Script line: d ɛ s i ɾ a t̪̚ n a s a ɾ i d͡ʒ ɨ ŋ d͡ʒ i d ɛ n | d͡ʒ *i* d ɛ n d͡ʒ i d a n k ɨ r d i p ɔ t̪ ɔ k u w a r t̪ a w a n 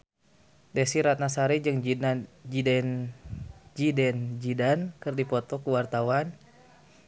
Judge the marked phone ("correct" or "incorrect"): correct